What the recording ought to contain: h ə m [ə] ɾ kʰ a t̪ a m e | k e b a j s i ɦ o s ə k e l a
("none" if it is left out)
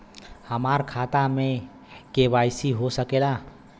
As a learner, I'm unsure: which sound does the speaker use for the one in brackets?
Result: a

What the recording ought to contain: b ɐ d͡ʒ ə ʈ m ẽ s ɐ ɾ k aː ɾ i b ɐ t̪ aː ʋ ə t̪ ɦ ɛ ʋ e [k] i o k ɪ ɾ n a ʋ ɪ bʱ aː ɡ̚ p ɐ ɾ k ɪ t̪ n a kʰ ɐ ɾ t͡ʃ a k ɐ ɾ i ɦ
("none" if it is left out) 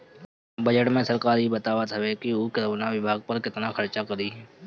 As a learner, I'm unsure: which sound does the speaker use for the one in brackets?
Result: k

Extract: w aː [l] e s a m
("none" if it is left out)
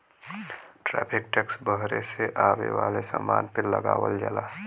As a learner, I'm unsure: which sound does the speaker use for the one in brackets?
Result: l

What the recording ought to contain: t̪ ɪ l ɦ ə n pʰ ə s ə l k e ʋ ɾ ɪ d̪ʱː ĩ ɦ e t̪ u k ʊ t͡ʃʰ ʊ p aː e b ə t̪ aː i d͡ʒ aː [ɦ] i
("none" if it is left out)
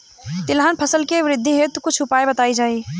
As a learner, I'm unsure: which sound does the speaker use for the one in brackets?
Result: none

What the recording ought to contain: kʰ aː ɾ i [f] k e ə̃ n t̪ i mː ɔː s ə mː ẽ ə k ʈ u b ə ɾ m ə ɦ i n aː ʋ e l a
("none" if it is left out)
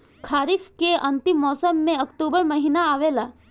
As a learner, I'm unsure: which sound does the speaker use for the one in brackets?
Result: f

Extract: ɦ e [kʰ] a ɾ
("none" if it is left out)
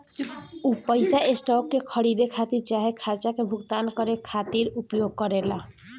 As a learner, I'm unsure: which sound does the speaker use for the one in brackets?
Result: kʰ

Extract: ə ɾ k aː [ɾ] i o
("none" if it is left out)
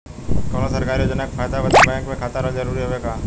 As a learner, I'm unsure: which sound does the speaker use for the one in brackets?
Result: ɾ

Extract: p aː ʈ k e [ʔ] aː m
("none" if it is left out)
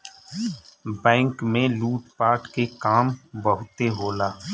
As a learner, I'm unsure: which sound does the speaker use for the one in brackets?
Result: k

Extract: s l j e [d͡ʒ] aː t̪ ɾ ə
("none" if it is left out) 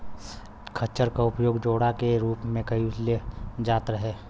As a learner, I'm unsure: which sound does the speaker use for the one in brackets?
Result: d͡ʒ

